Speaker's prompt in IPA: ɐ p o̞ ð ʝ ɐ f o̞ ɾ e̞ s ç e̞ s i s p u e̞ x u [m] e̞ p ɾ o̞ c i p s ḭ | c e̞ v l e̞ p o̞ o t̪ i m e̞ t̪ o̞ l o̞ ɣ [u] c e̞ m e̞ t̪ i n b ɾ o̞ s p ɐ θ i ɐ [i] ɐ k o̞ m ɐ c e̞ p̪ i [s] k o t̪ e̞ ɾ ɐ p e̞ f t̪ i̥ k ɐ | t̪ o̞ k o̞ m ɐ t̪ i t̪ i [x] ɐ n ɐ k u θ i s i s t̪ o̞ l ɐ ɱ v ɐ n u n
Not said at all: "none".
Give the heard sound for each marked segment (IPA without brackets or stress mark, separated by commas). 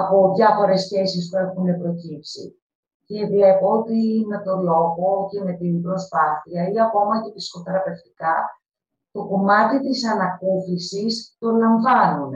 n, o, i, s, s